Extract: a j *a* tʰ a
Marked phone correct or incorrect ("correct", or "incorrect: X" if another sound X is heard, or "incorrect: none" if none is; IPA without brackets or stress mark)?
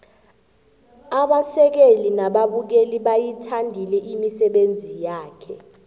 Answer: incorrect: i